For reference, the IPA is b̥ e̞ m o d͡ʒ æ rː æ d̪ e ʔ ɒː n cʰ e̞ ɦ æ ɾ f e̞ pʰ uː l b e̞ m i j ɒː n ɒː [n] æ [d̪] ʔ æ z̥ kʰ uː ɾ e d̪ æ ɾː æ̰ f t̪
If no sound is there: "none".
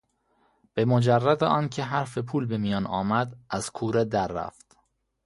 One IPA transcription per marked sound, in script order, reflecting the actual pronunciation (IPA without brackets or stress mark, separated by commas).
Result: m, d̪